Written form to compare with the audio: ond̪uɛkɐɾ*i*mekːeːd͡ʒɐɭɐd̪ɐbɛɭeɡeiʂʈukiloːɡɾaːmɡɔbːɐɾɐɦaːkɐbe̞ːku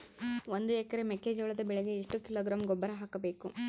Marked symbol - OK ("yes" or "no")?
no